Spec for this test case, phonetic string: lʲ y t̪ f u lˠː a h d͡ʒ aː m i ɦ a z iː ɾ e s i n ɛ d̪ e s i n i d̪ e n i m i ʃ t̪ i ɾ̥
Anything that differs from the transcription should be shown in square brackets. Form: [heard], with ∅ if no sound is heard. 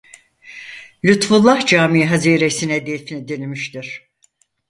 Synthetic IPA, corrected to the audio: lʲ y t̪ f u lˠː a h d͡ʒ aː m i ɦ a z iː ɾ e s i n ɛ d̪ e [f] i n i d̪ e n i m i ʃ t̪ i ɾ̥